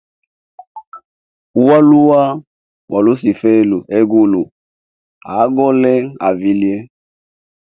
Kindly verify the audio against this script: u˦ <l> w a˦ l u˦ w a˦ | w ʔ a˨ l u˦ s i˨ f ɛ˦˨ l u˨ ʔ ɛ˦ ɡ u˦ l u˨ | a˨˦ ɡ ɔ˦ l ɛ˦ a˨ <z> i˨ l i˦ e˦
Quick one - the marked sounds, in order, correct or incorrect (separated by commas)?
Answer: incorrect, incorrect